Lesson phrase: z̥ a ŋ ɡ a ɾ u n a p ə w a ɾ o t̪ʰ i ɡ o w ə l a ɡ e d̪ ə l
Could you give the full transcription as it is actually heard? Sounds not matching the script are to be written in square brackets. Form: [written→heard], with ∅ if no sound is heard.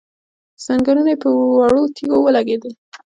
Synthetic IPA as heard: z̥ a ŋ ɡ a ɾ u n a p ə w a [ɾ→ɽ] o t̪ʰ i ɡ o w ə l a ɡ e d̪ ə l